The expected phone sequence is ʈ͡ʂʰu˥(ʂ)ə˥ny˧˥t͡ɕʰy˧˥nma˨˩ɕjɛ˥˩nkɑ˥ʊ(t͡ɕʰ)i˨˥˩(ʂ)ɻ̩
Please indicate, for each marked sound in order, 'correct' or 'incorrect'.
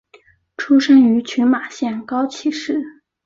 correct, correct, correct

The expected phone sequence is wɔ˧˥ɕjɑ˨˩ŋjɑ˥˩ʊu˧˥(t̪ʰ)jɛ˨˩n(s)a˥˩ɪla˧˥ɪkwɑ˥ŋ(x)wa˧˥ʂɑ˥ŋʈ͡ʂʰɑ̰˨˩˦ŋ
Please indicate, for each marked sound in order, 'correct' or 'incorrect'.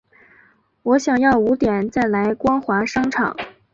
incorrect, incorrect, correct

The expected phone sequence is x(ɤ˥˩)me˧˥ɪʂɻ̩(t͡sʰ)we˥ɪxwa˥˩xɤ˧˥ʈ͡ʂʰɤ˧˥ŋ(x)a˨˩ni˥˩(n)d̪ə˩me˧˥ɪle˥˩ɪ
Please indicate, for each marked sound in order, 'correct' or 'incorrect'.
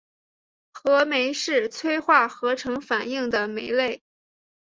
incorrect, correct, incorrect, incorrect

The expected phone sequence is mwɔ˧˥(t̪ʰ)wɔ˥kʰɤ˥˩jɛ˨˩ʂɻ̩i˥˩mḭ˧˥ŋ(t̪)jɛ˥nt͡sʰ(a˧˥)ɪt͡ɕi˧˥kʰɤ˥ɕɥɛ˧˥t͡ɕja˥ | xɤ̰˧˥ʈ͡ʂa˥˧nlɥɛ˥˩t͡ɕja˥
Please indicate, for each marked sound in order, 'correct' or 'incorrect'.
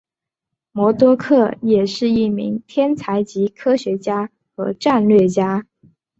incorrect, incorrect, correct

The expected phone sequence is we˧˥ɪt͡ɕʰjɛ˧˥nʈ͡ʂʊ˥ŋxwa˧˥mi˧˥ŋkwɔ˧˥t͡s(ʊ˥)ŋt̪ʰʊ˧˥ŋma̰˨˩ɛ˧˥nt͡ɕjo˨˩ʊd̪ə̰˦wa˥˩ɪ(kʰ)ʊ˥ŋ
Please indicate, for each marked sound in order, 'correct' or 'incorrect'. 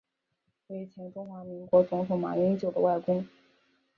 incorrect, incorrect

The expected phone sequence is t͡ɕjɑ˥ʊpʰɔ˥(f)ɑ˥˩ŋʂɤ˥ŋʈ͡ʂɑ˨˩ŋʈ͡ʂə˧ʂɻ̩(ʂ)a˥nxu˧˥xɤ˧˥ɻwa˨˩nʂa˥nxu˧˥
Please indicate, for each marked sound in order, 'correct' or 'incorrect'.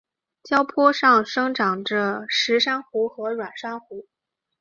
incorrect, correct

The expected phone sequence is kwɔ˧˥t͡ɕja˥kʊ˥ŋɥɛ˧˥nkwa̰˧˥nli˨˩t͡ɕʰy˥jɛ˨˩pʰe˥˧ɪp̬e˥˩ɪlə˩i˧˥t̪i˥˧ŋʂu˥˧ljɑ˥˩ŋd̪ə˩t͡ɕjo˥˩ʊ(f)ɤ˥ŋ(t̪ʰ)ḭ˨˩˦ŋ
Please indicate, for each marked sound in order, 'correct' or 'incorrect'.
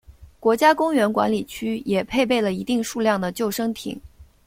incorrect, correct

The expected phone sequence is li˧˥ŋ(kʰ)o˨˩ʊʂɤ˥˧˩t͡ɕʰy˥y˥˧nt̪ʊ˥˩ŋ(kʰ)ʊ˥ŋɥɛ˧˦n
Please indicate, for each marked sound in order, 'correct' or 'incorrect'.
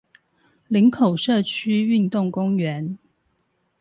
correct, incorrect

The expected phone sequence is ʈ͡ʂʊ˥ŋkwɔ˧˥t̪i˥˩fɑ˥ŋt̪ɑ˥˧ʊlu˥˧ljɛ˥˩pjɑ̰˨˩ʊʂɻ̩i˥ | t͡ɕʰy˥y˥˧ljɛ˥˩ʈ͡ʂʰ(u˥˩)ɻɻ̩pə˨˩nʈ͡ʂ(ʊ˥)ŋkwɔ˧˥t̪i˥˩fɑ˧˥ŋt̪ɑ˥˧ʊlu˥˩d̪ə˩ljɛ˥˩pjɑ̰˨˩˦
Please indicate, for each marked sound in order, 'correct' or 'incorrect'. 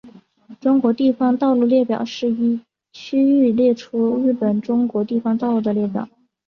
incorrect, correct

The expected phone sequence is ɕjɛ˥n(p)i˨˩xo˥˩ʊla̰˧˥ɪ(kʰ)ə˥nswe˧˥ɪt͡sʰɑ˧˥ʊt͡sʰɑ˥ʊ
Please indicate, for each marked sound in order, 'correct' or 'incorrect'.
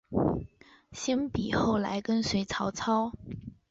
correct, incorrect

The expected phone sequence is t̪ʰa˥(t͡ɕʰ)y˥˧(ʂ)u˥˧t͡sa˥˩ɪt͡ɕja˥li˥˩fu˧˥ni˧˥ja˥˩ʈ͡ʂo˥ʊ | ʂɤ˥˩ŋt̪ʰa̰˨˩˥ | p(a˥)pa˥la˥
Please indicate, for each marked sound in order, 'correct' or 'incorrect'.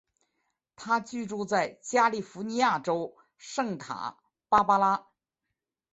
incorrect, incorrect, correct

